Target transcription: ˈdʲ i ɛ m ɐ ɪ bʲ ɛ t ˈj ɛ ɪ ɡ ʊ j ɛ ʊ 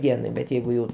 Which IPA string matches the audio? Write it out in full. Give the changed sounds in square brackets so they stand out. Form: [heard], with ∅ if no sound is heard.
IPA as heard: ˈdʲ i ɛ [n] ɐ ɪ bʲ ɛ t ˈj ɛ ɪ ɡ ʊ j ɛ ʊ

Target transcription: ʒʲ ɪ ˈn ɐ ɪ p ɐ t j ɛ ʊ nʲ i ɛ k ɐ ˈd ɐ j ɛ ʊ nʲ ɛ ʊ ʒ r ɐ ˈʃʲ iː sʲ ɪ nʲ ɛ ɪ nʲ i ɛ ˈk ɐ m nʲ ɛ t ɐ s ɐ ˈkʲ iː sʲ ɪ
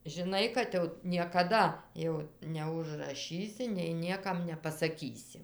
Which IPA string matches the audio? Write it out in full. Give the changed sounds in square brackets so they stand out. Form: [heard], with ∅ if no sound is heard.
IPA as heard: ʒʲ ɪ ˈn ɐ ɪ [k] ɐ t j ɛ ʊ nʲ i ɛ k ɐ ˈd ɐ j ɛ ʊ nʲ ɛ ʊ ʒ r ɐ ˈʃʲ iː sʲ ɪ nʲ ɛ ɪ nʲ i ɛ ˈk ɐ m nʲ ɛ [p] ɐ s ɐ ˈkʲ iː sʲ ɪ

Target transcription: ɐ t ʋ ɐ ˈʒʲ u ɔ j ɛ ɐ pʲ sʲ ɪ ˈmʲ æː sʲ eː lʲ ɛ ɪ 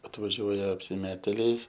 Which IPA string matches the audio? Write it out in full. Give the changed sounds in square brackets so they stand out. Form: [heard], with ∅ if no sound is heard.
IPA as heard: ɐ t ʋ ɐ ˈʒʲ u ɔ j ɛ ɐ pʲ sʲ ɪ ˈmʲ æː [tʲ] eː lʲ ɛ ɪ

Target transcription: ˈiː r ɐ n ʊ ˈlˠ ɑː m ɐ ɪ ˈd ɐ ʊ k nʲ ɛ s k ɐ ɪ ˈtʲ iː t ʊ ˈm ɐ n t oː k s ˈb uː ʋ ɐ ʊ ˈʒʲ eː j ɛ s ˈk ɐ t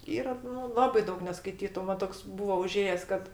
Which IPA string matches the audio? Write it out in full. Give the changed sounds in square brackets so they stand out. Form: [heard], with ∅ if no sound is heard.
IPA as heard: ˈiː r ɐ n ʊ ˈlˠ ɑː [b] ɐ ɪ ˈd ɐ ʊ k nʲ ɛ s k ɐ ɪ ˈtʲ iː t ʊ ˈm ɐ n t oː k s ˈb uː ʋ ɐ ʊ ˈʒʲ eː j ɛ s ˈk ɐ t

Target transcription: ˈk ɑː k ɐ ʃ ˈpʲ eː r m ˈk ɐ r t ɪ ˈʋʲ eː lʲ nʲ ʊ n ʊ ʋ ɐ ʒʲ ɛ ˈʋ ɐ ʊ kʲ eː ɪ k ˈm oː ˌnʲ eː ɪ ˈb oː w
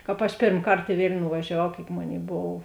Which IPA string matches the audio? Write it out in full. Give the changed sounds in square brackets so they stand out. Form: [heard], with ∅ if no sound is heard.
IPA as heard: ˈk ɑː [p] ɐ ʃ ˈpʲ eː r m ˈk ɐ r t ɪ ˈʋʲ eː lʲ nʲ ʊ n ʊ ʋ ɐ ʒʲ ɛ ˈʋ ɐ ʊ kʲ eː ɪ k ˈm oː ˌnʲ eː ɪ ˈb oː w

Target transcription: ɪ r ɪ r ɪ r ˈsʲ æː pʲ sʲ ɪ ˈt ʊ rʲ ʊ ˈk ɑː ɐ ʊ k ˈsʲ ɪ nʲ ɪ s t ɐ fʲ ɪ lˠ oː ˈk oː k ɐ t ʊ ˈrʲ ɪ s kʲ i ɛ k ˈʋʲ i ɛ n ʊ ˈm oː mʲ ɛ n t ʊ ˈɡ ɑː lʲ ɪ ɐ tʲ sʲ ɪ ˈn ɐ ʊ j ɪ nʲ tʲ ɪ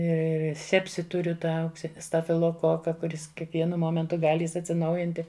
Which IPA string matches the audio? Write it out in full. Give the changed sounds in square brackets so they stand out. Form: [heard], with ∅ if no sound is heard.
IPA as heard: ɪ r ɪ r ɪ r ˈsʲ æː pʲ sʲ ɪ ˈt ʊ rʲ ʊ [ˈt] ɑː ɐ ʊ k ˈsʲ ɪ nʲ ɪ s t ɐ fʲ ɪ lˠ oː ˈk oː k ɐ [k] ʊ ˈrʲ ɪ s kʲ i ɛ k ˈʋʲ i ɛ n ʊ ˈm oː mʲ ɛ n t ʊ ˈɡ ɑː lʲ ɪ ɐ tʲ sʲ ɪ ˈn ɐ ʊ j ɪ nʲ tʲ ɪ

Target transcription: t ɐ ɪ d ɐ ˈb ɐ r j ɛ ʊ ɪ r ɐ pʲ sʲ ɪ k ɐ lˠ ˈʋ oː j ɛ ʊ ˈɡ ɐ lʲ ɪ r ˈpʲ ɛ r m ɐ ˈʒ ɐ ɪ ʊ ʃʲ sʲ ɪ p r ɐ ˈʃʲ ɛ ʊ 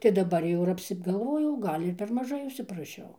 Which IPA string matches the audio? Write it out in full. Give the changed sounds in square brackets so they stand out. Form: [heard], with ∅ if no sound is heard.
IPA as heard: t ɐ ɪ d ɐ ˈb ɐ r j ɛ ʊ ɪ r ɐ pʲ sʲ ɪ [ɡ] ɐ lˠ ˈʋ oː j ɛ ʊ ˈɡ ɐ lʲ ɪ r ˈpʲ ɛ r m ɐ ˈʒ ɐ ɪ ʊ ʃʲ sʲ ɪ p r ɐ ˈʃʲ ɛ ʊ

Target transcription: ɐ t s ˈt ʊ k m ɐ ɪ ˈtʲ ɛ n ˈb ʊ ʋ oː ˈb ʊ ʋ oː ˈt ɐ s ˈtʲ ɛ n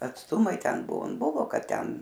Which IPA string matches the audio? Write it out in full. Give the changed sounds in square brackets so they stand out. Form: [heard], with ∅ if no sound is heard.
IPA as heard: ɐ t s ˈt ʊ [∅] m ɐ ɪ ˈtʲ ɛ n ˈb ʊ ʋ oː ˈb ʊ ʋ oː [ˈk] ɐ [t] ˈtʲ ɛ n

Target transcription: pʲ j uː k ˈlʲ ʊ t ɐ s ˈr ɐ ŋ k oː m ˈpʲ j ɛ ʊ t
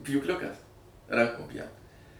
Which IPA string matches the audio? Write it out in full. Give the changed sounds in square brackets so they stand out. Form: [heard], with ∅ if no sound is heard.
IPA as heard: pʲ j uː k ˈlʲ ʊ [k] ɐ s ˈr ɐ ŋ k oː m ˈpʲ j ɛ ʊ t

